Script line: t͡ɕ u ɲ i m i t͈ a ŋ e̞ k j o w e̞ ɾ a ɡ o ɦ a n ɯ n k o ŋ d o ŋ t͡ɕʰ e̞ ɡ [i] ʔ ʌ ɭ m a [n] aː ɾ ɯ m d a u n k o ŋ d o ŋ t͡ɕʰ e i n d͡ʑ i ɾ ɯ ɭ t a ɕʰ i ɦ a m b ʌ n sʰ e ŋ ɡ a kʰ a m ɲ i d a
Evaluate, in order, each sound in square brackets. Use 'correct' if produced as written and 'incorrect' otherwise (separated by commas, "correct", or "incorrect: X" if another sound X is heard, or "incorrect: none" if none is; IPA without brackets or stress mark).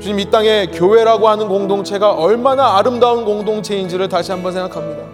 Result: incorrect: a, correct